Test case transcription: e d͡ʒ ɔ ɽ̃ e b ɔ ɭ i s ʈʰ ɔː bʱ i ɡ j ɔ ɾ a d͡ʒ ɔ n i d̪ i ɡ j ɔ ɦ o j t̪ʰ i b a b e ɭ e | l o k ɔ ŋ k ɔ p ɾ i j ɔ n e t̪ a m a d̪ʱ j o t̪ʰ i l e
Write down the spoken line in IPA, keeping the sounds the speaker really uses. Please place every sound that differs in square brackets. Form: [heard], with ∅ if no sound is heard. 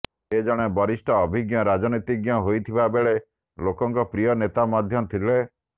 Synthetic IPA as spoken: e d͡ʒ ɔ ɽ̃ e b ɔ [ɾ] i s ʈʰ ɔː bʱ i ɡ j ɔ ɾ a d͡ʒ ɔ n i [t̪] i ɡ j ɔ ɦ o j t̪ʰ i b a b e ɭ e | l o k ɔ ŋ k ɔ p ɾ i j ɔ n e t̪ a m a d̪ʱ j [ɔ] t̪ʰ i l e